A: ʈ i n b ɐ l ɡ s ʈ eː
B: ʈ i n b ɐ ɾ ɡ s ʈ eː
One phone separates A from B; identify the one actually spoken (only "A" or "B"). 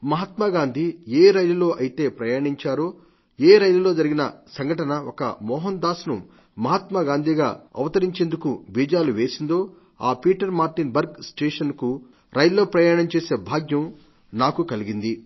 B